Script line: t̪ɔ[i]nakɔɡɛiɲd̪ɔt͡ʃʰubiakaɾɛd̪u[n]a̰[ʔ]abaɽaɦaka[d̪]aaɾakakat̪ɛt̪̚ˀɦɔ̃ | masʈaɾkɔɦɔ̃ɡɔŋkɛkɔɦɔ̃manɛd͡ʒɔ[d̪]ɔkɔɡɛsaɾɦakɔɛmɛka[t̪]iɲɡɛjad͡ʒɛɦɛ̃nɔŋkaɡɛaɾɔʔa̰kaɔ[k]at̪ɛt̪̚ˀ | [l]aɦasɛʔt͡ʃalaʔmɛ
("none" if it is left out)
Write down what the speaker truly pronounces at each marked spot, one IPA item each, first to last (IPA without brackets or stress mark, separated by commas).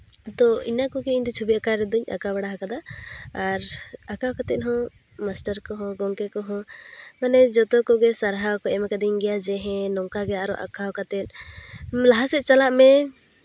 i, ɲ, k, d̪, t̪, d̪, k, l